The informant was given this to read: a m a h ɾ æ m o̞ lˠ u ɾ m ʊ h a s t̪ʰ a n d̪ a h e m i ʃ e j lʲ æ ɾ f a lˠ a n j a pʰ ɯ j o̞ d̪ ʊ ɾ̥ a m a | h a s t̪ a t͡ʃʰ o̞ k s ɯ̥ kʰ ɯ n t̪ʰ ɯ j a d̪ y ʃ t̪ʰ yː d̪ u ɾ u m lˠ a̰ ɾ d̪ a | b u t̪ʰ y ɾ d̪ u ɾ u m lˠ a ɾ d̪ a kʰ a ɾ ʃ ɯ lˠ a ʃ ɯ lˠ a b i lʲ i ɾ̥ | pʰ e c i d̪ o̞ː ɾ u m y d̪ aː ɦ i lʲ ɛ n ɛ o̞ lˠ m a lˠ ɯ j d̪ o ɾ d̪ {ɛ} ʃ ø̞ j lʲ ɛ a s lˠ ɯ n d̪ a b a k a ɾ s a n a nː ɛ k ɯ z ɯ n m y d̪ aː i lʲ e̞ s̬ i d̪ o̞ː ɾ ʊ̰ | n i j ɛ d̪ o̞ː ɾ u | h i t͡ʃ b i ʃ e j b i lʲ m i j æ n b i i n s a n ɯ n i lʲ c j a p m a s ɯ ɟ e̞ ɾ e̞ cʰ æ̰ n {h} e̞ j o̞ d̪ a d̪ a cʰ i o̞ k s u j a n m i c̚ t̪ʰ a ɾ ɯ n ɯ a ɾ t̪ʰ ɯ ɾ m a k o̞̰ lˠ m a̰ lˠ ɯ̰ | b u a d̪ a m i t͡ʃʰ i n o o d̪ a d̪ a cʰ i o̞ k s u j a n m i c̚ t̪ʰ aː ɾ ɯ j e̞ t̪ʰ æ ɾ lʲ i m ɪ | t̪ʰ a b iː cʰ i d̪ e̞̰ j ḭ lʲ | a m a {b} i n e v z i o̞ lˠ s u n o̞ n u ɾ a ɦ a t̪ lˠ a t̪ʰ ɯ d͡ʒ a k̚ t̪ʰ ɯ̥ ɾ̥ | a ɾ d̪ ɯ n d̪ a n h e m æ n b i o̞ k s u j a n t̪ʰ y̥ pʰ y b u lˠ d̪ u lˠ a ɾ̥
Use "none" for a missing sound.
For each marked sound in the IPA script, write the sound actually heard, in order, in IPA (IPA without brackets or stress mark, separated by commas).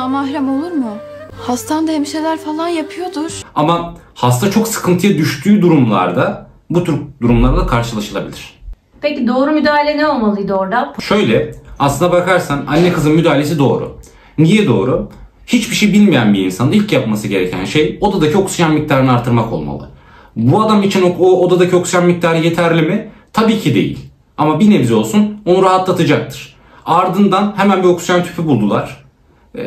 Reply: a, ʃ, b